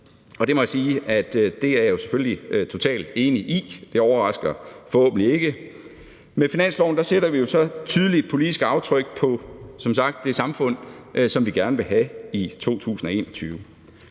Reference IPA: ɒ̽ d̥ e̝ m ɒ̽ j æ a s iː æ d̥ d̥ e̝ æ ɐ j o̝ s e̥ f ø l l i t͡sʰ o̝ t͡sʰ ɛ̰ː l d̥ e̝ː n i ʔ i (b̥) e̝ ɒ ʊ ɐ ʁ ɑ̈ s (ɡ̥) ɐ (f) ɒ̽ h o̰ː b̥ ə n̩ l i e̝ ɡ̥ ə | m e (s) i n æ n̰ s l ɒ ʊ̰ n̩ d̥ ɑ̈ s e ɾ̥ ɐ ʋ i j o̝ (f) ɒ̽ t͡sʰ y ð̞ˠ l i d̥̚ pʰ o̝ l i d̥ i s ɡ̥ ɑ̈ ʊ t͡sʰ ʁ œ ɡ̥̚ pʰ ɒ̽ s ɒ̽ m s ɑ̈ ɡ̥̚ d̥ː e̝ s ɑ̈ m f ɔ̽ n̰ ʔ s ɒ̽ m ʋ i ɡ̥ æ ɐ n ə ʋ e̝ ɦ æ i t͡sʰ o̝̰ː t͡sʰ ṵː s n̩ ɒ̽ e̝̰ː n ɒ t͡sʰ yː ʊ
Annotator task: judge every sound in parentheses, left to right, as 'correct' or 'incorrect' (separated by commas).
incorrect, correct, correct, incorrect, incorrect